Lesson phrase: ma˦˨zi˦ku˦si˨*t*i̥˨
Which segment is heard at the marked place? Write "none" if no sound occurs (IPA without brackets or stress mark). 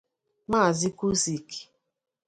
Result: k